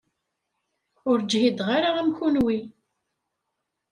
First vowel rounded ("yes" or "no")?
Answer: yes